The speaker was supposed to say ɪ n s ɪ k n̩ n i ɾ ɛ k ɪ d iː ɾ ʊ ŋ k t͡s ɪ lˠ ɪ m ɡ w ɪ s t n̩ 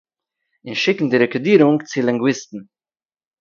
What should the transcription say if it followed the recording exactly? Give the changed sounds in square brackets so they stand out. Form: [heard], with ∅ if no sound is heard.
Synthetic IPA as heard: ɪ n [ʃ] ɪ k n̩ [d] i ɾ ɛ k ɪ d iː ɾ ʊ ŋ k t͡s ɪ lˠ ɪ [ŋ] ɡ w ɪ s t n̩